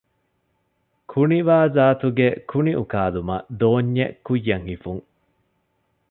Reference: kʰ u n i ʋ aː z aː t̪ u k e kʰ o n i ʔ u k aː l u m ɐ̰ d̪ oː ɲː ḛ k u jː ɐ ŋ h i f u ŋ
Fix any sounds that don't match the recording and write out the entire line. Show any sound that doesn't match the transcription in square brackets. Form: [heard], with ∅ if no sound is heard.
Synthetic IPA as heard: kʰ u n i ʋ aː z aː t̪ u [ɡ] e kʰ [u] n i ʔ u k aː l u m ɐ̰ d̪ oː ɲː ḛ k u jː ɐ ŋ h i f u ŋ